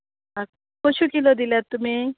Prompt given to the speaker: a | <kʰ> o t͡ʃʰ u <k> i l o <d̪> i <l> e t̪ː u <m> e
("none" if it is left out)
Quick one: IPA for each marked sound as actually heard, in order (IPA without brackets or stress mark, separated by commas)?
k, k, d̪, l, m